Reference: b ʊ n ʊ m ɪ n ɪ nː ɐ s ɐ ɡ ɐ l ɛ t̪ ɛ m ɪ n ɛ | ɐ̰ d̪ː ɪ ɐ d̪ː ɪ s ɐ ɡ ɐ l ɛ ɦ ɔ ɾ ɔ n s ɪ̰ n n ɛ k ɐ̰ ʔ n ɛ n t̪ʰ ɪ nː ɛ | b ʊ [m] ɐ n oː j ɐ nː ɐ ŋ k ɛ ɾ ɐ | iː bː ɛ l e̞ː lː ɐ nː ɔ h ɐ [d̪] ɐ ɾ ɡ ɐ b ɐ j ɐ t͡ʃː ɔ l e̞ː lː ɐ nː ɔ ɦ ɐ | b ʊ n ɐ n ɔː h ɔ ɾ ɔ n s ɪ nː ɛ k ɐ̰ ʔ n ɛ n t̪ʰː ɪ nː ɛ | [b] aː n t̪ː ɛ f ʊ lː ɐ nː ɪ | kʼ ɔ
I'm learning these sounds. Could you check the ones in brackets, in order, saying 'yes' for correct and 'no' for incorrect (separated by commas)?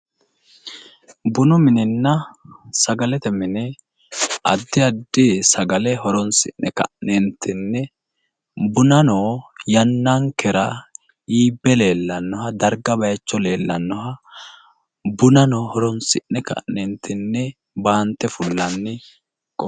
no, yes, yes